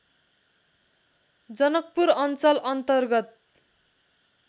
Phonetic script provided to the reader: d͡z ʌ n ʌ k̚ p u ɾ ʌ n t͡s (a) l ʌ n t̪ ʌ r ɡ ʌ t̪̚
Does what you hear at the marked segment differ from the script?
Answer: yes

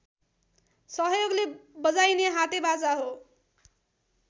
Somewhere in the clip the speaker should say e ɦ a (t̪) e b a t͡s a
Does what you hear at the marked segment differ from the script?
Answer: no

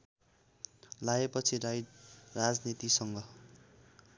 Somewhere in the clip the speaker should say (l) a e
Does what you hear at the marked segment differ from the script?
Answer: no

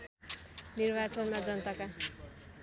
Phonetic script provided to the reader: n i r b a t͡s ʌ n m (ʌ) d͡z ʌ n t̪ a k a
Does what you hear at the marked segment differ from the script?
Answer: yes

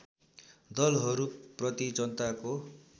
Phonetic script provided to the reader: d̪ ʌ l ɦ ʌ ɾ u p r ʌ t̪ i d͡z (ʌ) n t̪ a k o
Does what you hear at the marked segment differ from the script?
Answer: no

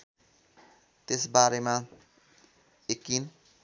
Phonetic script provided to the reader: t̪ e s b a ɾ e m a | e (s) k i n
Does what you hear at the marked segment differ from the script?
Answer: yes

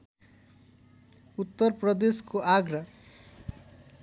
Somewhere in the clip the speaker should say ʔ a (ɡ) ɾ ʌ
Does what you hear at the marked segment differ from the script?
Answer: no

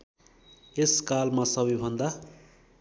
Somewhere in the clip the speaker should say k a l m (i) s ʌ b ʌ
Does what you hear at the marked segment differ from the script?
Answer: yes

